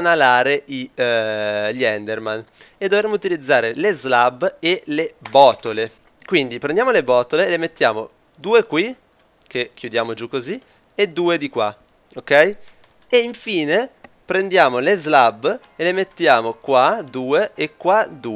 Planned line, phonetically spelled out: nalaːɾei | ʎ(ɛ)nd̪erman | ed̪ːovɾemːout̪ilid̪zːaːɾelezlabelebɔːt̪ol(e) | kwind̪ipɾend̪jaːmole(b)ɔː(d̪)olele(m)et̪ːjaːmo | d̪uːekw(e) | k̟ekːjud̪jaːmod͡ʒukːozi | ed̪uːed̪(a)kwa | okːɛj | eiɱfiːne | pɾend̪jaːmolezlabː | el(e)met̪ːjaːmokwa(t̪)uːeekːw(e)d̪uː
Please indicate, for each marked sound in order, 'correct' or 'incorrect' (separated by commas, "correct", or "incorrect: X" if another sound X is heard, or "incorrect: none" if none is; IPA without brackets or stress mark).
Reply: correct, correct, correct, incorrect: t̪, correct, incorrect: i, incorrect: i, correct, incorrect: d̪, incorrect: a